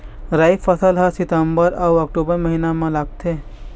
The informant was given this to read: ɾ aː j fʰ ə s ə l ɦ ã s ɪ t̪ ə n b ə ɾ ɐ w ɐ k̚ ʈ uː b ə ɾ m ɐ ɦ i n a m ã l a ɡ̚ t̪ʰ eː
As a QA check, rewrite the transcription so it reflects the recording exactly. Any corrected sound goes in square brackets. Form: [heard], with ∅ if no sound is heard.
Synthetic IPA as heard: ɾ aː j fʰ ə s ə l ɦ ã s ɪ t̪ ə [m] b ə ɾ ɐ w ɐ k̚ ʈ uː b ə ɾ m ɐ ɦ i n a m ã l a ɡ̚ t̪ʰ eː